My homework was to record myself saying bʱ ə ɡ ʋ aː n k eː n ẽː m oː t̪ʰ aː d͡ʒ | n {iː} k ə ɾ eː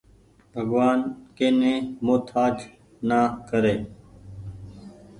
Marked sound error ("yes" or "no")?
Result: yes